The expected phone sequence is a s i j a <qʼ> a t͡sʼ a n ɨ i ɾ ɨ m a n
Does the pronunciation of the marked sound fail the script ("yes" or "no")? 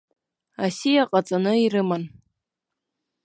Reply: no